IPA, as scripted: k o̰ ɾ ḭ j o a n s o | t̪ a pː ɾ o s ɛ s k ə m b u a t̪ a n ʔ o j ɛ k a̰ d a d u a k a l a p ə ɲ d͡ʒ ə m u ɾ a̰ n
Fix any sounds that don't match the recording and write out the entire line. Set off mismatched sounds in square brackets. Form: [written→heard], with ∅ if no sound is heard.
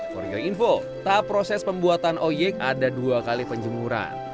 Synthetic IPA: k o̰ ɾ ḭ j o [a→i] n [s→f] o | t̪ a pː ɾ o s ɛ s [k→p] ə m b u a t̪ a n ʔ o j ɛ k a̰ d a d u a k a l [a→i] p ə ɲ d͡ʒ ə m u ɾ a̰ n